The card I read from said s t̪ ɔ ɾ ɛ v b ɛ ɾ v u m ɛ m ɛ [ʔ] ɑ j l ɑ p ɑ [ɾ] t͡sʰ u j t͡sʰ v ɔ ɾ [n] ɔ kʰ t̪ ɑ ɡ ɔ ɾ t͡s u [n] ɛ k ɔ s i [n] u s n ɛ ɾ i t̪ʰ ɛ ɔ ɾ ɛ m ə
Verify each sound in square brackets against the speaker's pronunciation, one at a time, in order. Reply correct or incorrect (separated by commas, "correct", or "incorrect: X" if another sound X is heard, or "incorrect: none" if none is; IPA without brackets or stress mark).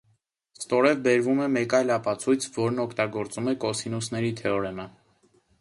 incorrect: k, incorrect: none, correct, incorrect: m, correct